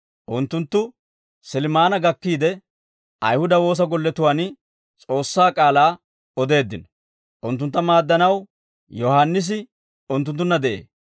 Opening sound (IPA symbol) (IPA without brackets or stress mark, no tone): ʔ